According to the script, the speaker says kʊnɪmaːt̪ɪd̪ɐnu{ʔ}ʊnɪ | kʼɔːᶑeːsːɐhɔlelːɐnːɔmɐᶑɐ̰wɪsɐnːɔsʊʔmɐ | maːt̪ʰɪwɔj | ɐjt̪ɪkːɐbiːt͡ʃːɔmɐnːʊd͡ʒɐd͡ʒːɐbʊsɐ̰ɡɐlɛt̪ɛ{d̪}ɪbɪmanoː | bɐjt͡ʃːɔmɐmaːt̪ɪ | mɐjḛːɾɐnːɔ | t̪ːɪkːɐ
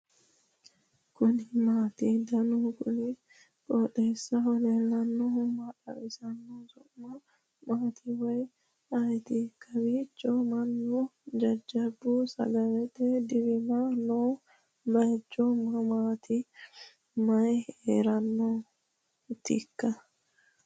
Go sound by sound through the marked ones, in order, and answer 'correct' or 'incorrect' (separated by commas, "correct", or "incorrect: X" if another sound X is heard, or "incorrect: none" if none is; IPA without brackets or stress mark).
incorrect: k, correct